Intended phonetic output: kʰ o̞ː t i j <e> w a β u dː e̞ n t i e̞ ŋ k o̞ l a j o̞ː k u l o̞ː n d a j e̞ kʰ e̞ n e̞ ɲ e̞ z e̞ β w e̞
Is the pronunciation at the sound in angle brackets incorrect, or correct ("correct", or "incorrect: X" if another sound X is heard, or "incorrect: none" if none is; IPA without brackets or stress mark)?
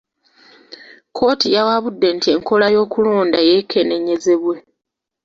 incorrect: a